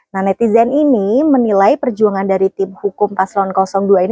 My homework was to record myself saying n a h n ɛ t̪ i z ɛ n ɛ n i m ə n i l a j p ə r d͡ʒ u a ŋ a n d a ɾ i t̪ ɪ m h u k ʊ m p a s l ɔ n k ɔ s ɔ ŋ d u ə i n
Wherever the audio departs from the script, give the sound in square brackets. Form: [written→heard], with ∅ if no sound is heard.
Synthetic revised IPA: n a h n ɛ t̪ i z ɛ n [ɛ→i] n i m ə n i l a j p ə r d͡ʒ u a ŋ a n d a ɾ i t̪ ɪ m h u k ʊ m p a s l ɔ n k ɔ s ɔ ŋ d u [ə→a] i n